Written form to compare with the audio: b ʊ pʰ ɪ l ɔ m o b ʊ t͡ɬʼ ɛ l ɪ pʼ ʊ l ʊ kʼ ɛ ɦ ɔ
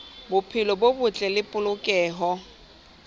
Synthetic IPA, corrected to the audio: b ʊ pʰ ɪ l ɔ b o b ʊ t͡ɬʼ ɛ l ɪ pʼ ʊ l ʊ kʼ ɛː ɦ ɔ